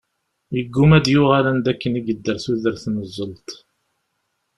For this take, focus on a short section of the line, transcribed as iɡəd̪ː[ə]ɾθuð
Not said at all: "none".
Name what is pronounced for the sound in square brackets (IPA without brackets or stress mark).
ə